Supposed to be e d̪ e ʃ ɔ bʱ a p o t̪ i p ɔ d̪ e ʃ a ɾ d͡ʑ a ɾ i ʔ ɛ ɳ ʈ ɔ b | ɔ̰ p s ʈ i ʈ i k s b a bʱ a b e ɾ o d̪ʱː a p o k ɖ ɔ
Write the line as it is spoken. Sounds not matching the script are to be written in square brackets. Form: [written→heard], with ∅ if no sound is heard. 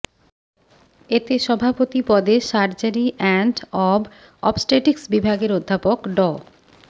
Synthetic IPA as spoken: e [d̪→t̪] e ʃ ɔ bʱ a p o t̪ i p ɔ d̪ e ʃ a ɾ d͡ʑ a ɾ i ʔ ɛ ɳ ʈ ɔ b | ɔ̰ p s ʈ [i→e] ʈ i k s b [a→i] bʱ a [b→ɡ] e ɾ o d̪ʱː a p o k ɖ ɔ